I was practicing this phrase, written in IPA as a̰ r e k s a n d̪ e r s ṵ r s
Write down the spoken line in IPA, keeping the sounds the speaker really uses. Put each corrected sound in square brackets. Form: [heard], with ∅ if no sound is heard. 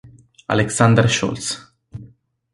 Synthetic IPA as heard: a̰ [l] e k s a n d̪ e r [ʃ] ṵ [l] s